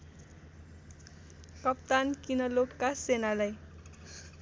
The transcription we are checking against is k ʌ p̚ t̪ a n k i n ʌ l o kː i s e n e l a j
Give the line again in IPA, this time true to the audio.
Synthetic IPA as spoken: k ʌ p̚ t̪ a n k i n ʌ l o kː a s e n a l a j